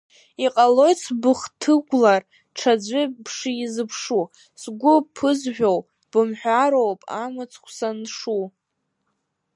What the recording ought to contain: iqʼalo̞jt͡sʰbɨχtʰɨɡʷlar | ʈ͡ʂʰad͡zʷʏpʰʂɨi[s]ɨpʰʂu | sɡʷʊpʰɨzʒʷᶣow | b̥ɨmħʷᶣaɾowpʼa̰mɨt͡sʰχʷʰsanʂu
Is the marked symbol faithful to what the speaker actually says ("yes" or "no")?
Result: no